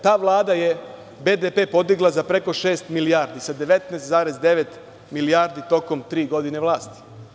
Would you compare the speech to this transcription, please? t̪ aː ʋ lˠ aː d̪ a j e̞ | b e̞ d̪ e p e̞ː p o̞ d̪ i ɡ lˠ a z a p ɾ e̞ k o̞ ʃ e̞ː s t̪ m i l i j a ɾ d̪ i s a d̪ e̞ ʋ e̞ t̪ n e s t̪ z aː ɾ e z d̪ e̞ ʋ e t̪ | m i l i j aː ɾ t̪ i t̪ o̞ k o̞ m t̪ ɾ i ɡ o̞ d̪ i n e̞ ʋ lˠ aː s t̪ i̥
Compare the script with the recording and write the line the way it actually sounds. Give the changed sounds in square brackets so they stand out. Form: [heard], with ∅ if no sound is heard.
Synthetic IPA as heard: t̪ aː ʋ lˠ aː d̪ a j e̞ | b e̞ d̪ e p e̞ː p o̞ d̪ i ɡ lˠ a z a p ɾ e̞ k o̞ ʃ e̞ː s t̪ m i l i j a ɾ d̪ i s a d̪ e̞ ʋ e̞ t̪ n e s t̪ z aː ɾ e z d̪ e̞ ʋ e t̪ | m i l i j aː ɾ [d̪] i t̪ o̞ k o̞ m t̪ ɾ [iː] ɡ o̞ d̪ i n e̞ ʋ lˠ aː s t̪ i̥